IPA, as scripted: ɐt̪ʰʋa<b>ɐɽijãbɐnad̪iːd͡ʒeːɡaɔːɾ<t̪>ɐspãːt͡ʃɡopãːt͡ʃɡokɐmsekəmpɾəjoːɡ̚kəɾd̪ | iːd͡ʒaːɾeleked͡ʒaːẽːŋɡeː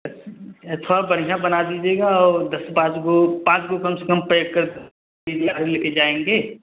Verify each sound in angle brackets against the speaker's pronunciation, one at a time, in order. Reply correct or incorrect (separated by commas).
correct, incorrect